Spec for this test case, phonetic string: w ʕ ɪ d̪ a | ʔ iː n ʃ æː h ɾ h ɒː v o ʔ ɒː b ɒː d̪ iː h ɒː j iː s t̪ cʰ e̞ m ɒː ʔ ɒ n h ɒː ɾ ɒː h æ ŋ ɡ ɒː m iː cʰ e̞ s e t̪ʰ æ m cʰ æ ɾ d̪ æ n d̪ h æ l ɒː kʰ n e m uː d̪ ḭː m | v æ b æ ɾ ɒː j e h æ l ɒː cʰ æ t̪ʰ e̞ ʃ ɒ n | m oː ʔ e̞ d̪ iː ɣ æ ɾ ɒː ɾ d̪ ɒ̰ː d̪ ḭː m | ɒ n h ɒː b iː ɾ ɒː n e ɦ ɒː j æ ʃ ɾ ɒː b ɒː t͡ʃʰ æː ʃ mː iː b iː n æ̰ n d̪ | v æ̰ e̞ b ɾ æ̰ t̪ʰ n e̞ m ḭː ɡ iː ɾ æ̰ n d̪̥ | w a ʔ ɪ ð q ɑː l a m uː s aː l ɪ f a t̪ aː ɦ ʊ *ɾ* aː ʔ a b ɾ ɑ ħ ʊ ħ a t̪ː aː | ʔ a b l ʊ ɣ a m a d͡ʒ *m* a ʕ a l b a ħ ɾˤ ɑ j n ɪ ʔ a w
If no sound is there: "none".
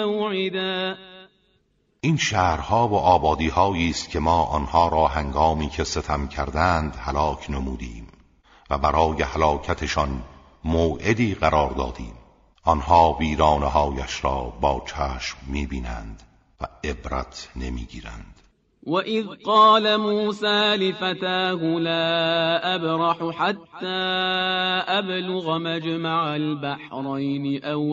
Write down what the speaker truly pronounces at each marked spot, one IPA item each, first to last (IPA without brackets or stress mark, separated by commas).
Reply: l, m